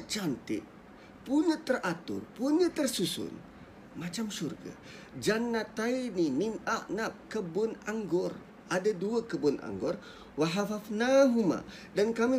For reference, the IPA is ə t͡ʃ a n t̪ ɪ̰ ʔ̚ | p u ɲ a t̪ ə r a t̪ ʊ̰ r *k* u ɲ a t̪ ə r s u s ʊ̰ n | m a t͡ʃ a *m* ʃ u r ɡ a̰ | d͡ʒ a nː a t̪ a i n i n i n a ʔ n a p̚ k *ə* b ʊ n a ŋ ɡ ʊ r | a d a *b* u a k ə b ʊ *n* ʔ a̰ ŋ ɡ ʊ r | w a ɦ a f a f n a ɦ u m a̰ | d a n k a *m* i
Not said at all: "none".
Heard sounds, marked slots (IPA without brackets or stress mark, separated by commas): p, m, ə, d, n, m